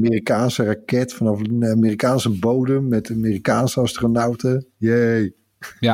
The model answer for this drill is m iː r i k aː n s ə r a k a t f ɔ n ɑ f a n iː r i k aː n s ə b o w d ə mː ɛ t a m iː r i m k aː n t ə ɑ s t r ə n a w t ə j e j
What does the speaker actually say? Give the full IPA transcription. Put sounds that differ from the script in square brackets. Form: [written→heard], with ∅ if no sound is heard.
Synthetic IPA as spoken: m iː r i k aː n s ə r a k [a→ɛ] t f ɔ n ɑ f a [n→m] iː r i k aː n s ə b o w d ə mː ɛ t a m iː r i [m→∅] k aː n [t→s] ə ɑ s t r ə n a w t ə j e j